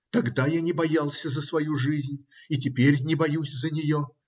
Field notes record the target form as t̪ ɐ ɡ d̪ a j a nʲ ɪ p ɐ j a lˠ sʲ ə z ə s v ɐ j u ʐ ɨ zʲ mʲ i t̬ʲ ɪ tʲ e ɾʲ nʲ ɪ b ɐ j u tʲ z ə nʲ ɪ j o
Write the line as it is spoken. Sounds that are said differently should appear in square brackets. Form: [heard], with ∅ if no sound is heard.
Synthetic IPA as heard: t̪ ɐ ɡ d̪ a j a nʲ ɪ [b] ɐ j a lˠ sʲ ə z ə s v ɐ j u ʐ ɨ zʲ [nʲ] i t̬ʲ ɪ [pʲ] e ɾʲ nʲ ɪ b ɐ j u [sʲ] z ə nʲ ɪ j o